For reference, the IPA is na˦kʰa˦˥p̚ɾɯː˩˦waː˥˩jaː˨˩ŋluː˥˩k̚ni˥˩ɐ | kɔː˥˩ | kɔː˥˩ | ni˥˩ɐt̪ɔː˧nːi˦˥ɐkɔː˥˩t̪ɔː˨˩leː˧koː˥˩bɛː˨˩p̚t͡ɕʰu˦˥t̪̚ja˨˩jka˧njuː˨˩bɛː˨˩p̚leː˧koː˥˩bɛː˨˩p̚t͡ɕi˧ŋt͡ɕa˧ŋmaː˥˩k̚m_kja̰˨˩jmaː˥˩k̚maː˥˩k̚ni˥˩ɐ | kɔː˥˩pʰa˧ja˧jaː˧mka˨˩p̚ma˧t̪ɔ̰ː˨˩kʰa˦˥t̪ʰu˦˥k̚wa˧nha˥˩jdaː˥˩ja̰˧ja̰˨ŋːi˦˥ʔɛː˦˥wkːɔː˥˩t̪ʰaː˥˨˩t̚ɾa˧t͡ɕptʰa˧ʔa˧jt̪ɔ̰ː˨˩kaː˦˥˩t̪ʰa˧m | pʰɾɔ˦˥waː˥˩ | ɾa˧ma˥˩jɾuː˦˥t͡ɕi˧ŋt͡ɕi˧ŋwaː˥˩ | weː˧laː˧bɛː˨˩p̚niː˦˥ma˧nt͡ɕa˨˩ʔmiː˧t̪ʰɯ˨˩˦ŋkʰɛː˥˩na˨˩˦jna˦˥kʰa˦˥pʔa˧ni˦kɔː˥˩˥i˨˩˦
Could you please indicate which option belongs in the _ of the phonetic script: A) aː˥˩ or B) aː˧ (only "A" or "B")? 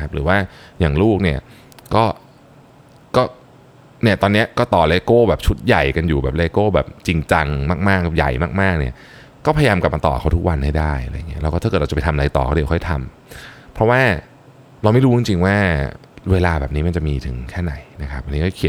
A